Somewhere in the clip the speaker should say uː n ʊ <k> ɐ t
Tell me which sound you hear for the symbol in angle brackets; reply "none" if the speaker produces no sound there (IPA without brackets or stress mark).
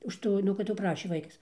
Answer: k